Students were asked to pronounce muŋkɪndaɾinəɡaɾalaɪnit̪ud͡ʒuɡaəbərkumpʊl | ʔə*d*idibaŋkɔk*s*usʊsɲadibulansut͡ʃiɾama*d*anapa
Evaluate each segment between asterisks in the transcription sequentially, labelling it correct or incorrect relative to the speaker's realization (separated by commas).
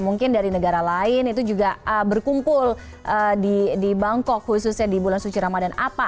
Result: correct, incorrect, correct